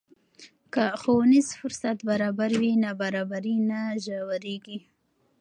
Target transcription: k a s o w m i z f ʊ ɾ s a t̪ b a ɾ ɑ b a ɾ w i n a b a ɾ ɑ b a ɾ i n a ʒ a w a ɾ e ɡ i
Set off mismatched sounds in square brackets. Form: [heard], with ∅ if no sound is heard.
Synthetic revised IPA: k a [x] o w [n] i z f ʊ ɾ s a t̪ b a ɾ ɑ b a ɾ w i n a b a ɾ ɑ b a ɾ i n a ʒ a w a ɾ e ɡ i